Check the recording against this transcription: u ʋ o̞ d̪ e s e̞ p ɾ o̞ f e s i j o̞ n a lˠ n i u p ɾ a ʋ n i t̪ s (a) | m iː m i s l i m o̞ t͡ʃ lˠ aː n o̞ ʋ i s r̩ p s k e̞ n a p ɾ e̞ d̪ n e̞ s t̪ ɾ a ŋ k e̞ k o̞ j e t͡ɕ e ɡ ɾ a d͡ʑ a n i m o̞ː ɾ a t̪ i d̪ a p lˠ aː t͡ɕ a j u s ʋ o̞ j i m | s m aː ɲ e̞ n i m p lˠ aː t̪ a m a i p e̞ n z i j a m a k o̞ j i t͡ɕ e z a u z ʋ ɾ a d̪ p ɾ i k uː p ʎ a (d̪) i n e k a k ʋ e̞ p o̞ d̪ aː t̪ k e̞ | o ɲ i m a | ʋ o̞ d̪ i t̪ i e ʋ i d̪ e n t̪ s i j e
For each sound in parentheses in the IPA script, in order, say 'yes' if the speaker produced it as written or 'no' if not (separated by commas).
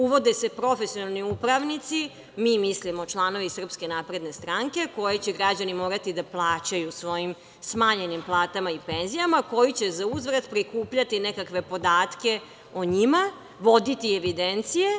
no, no